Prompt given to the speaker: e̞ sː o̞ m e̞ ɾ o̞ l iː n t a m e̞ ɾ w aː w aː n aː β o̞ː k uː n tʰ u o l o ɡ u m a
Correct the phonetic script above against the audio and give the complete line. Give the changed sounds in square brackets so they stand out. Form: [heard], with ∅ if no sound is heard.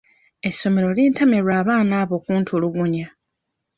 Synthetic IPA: e̞ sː o̞ m e̞ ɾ o̞ l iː n t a m e̞ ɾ w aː [β] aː n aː β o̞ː k uː n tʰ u o l [u] ɡ u [ɲ] a